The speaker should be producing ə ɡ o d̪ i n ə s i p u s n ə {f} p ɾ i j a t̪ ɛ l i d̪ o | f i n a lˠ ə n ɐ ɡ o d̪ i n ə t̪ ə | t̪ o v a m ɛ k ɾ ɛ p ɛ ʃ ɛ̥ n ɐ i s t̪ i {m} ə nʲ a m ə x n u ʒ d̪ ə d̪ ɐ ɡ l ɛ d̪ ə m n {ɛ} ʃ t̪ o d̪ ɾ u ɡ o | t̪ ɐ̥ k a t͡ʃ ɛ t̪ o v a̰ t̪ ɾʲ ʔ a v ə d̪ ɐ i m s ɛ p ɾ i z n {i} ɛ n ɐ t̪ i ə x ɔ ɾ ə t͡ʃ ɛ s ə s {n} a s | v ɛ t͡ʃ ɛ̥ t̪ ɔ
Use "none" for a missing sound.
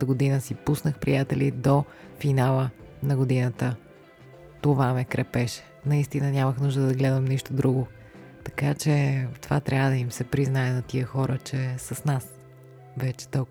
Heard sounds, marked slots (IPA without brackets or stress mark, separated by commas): x, n, i, a, n